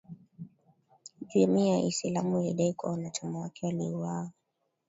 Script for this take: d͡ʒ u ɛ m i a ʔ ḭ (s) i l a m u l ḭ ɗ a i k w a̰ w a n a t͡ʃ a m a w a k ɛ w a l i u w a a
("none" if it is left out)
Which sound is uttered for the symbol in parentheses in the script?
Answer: s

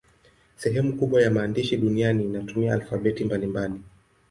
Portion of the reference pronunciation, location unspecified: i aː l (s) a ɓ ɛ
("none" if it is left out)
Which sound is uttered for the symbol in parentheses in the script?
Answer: f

